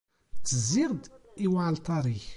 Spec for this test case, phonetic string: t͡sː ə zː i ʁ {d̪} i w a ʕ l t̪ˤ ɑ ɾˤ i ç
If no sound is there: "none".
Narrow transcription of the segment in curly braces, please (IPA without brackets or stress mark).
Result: d̪